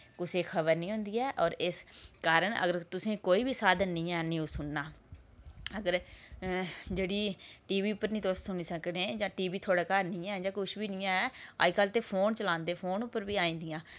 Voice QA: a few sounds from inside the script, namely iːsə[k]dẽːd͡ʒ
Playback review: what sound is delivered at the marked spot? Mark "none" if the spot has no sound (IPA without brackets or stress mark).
k